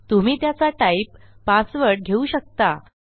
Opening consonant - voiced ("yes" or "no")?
no